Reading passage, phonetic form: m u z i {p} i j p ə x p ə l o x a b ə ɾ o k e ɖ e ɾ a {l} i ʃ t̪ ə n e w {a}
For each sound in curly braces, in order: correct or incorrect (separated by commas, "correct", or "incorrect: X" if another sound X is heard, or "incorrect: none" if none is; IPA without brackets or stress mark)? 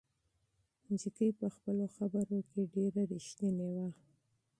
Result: incorrect: k, incorrect: ɾ, correct